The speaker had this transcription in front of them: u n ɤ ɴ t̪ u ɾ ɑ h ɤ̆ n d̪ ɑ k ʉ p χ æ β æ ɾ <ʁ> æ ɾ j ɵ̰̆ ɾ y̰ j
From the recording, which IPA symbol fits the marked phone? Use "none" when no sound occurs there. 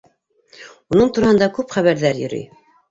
ð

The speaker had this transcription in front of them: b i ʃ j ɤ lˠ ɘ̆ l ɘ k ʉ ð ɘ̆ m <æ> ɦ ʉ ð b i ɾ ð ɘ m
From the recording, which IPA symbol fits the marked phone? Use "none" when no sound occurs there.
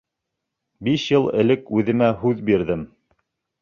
æ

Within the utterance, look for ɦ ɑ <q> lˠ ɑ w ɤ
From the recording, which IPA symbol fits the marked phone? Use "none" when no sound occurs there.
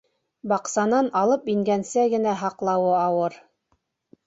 q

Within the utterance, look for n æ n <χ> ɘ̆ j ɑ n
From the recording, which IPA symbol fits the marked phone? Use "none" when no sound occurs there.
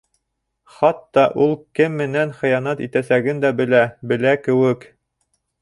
χ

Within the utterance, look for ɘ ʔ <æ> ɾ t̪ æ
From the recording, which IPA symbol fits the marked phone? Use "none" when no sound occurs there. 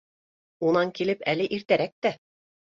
i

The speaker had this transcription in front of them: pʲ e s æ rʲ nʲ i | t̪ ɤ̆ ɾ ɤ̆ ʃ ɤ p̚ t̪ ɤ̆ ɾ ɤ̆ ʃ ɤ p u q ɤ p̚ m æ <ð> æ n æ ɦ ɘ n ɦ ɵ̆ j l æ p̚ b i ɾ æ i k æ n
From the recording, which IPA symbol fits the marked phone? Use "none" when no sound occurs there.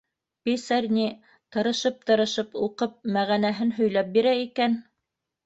ʁ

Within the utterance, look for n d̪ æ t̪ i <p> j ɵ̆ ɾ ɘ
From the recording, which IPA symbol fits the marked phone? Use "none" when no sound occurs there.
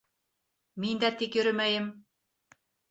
k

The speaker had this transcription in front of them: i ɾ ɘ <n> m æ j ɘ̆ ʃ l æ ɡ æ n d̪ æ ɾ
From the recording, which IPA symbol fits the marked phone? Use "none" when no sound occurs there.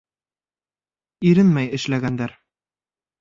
n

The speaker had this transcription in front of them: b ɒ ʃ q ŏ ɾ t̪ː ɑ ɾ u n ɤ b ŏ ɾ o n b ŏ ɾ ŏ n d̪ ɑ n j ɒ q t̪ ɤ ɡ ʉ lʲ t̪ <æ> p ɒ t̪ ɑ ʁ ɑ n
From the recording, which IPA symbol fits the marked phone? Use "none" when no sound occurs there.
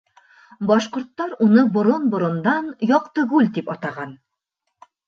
i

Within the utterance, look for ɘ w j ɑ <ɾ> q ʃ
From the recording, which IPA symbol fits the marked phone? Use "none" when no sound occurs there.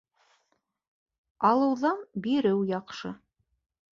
none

